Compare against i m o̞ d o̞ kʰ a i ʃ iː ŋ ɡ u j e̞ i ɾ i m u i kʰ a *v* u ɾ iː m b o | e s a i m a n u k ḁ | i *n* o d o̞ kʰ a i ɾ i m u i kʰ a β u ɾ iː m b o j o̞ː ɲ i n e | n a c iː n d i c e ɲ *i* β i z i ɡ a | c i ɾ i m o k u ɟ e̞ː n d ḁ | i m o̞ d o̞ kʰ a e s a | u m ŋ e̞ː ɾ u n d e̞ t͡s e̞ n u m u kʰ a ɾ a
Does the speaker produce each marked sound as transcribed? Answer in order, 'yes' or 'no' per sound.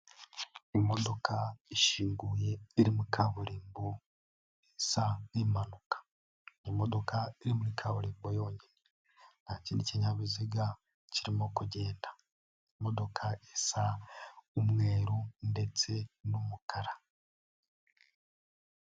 no, no, no

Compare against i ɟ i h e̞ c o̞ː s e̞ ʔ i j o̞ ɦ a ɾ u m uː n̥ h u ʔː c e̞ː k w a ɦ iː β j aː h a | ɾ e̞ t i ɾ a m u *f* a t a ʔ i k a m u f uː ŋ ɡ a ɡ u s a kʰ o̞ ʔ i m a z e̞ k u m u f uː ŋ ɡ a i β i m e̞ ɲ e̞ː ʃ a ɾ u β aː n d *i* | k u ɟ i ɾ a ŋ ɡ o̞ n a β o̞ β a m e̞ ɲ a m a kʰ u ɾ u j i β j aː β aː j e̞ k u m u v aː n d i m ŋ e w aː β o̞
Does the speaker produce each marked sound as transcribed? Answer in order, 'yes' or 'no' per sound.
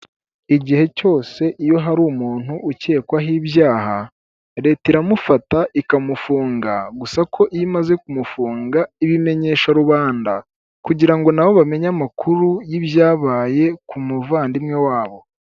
yes, no

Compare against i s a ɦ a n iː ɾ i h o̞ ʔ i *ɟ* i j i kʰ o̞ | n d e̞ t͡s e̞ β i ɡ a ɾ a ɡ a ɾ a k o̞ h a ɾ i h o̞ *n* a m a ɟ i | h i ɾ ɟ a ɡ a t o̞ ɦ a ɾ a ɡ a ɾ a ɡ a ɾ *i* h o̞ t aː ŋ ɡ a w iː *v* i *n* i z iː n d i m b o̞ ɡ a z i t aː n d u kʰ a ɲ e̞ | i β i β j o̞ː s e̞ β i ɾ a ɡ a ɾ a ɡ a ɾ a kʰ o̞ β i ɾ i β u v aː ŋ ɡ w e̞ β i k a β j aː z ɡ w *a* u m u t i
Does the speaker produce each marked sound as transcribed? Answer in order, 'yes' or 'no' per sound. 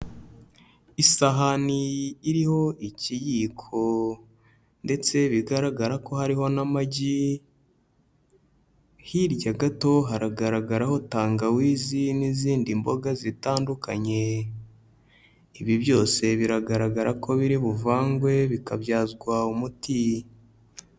no, yes, no, no, yes, yes

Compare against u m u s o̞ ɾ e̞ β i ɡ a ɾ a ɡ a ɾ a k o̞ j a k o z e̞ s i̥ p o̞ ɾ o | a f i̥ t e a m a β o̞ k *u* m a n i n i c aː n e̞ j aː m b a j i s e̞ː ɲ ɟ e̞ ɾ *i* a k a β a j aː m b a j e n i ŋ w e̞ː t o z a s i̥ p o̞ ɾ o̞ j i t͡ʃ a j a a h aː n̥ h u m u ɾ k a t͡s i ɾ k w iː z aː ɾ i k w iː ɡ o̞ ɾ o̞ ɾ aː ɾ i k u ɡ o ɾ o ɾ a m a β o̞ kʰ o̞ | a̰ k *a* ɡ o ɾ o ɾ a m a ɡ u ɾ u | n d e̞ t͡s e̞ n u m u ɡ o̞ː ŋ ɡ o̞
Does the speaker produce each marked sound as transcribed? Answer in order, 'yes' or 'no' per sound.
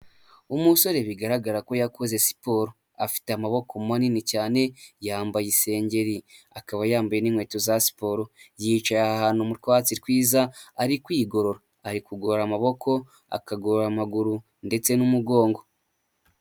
no, yes, yes

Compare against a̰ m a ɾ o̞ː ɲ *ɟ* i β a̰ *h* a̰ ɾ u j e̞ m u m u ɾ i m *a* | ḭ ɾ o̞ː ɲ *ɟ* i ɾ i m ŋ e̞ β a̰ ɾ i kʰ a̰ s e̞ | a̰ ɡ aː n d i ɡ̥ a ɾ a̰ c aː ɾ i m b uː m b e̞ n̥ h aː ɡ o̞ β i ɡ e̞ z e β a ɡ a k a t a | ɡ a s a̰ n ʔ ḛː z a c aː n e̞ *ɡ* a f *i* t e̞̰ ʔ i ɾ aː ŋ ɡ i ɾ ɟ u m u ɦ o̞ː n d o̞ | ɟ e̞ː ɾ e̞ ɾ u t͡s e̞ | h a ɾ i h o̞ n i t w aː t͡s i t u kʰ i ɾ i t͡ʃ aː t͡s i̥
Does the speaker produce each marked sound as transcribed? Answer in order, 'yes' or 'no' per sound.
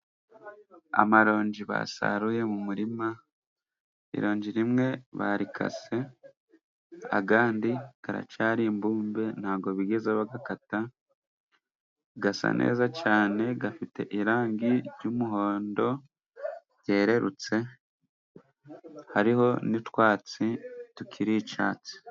yes, no, yes, yes, yes, yes

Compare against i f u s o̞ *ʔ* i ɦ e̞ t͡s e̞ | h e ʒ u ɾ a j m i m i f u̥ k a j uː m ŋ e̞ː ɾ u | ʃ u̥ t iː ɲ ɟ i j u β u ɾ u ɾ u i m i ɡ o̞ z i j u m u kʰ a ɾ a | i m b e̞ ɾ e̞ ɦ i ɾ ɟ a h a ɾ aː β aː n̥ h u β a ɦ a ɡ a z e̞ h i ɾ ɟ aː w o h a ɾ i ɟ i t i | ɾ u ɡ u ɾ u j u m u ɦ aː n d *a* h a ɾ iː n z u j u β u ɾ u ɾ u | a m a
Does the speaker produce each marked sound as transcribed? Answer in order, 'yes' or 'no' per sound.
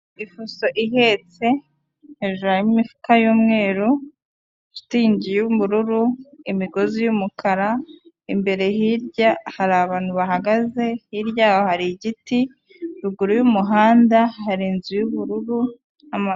yes, yes

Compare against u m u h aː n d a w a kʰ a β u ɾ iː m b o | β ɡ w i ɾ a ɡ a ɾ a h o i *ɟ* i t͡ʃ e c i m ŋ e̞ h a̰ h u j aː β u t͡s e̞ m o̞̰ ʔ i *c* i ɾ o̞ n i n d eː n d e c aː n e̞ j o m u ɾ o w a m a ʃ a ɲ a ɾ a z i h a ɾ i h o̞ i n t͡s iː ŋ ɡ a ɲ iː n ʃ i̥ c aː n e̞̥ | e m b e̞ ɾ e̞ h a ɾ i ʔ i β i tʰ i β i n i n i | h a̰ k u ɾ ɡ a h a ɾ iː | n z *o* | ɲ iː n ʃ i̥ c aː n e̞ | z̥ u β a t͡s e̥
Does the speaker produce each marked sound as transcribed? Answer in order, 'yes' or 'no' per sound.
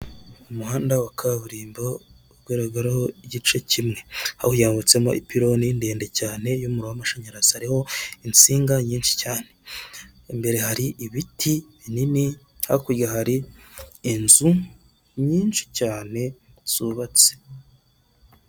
yes, no, no

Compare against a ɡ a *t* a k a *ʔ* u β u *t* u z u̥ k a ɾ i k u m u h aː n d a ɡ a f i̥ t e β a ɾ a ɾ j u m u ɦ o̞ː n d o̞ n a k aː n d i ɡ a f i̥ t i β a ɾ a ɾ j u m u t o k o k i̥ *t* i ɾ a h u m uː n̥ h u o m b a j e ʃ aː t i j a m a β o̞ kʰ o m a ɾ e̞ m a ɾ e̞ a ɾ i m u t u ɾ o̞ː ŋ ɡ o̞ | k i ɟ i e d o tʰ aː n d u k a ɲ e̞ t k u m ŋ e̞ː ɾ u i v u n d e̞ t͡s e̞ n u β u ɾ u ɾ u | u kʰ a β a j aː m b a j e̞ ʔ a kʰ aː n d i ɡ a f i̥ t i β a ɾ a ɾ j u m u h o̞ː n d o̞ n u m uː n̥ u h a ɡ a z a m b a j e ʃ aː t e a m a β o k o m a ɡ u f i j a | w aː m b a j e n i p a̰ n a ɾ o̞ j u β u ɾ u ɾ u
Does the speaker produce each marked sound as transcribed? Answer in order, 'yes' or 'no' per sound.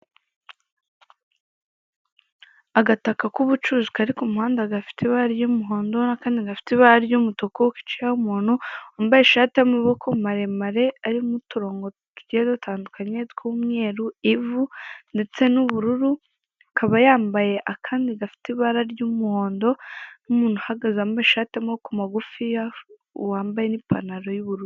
yes, no, no, no

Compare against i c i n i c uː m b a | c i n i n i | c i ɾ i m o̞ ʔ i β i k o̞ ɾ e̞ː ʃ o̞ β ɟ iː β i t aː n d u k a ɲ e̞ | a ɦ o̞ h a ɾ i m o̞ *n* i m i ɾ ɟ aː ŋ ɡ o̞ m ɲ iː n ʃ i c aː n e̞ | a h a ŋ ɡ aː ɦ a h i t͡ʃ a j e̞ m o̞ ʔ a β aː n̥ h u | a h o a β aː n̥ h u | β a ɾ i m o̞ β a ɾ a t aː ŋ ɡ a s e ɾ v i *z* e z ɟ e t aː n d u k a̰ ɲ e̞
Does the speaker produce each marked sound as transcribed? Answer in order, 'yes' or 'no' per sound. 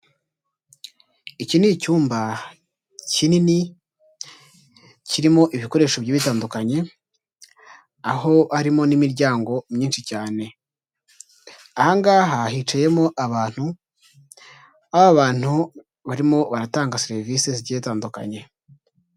yes, no

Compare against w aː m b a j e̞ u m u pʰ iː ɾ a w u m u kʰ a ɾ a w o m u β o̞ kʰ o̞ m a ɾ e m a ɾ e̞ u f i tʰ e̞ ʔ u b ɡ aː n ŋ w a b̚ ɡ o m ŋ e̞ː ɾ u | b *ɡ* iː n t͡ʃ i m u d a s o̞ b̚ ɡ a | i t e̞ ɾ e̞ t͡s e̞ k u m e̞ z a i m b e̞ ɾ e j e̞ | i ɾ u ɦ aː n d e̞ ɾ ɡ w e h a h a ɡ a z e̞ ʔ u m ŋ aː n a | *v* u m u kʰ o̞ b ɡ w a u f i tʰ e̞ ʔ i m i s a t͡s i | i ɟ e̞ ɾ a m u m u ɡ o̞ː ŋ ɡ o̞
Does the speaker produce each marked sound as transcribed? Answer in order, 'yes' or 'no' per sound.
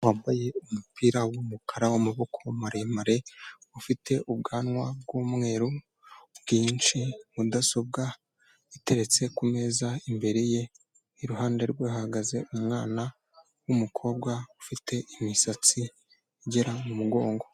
yes, no

